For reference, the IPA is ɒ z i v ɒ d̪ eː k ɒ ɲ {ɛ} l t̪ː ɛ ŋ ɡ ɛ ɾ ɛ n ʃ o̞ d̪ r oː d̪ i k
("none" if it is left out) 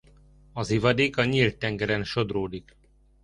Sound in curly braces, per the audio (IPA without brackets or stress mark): i